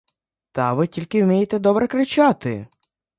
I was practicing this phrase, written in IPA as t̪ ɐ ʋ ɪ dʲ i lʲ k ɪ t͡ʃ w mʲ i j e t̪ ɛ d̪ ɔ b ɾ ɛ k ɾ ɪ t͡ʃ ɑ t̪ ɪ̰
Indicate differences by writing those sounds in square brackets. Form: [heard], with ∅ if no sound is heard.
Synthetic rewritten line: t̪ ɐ ʋ ɪ [tʲ] i lʲ k ɪ [∅] w mʲ i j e t̪ ɛ d̪ ɔ b ɾ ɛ k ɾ ɪ t͡ʃ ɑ t̪ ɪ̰